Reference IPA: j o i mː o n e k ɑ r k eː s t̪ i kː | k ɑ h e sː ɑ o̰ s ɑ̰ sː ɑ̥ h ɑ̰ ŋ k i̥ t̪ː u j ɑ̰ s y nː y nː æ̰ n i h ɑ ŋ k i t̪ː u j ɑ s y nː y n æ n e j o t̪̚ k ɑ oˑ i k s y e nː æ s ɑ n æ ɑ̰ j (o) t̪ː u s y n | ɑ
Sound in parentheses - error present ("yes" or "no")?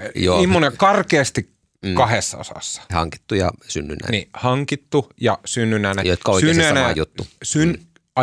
yes